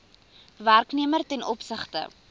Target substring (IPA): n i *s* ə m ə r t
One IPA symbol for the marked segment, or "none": none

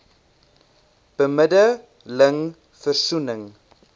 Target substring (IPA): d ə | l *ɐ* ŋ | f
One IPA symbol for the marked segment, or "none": ə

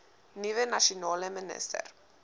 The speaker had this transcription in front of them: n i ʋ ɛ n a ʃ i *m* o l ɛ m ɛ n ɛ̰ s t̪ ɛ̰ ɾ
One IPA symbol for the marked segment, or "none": n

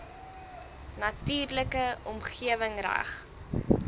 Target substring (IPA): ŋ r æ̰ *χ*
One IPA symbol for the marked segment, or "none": χ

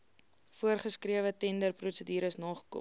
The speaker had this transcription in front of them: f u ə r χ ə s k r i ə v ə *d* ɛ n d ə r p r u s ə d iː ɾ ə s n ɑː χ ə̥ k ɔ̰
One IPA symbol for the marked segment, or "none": t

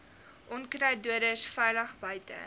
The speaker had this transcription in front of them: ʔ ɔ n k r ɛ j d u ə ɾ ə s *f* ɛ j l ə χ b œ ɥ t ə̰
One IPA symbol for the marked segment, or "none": f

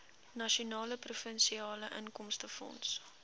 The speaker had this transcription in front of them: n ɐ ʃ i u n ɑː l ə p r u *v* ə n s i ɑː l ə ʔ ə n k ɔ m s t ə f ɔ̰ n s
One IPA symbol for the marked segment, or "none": f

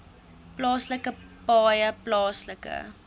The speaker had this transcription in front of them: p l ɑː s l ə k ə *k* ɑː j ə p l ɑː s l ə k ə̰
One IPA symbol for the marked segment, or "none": p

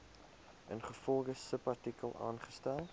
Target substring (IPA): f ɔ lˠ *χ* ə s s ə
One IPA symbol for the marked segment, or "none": χ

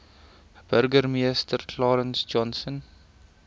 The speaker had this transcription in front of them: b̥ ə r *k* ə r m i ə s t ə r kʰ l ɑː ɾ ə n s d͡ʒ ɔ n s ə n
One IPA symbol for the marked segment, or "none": ɡ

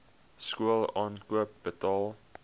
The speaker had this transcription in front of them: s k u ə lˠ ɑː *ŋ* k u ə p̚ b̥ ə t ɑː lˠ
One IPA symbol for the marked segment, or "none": n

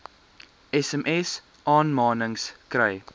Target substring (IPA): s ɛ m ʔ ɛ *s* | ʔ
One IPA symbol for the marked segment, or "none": s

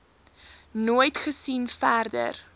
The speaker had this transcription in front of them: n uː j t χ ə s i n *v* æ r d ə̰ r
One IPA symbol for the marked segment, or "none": f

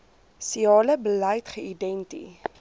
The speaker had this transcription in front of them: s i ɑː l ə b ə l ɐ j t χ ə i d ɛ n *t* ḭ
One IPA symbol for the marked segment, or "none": t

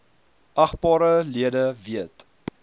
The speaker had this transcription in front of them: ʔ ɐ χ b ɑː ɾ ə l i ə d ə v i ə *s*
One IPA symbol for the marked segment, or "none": t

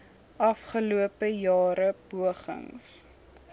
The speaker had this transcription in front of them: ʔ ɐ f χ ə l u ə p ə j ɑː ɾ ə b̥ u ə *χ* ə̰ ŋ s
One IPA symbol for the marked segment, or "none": χ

